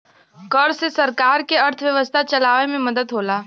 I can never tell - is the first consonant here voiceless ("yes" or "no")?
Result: yes